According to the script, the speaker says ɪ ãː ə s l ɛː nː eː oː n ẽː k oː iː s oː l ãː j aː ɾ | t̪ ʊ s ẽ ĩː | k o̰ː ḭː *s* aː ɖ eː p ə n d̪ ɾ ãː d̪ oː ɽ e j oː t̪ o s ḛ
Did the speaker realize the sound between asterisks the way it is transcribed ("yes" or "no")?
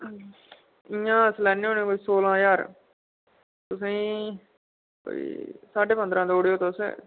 yes